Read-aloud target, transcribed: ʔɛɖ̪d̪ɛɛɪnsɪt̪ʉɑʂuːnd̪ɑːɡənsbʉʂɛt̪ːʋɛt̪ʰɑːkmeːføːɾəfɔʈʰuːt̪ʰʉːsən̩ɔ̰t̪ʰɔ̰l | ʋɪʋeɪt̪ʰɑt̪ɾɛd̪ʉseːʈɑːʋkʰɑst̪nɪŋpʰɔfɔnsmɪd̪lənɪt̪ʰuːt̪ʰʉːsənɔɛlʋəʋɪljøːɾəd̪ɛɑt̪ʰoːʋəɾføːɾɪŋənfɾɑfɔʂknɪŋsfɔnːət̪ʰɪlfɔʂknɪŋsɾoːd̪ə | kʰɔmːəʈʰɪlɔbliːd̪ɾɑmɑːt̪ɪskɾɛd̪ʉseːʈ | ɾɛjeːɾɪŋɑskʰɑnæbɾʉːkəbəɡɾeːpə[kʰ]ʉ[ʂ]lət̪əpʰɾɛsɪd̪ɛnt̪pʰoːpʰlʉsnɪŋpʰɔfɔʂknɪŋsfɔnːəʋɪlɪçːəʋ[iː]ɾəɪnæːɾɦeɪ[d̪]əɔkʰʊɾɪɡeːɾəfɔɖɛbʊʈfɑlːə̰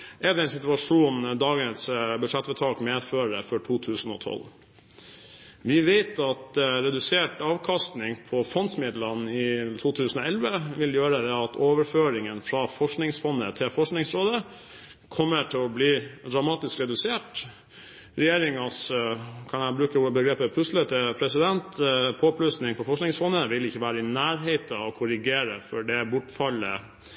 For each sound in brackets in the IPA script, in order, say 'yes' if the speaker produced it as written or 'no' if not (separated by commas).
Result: no, no, no, no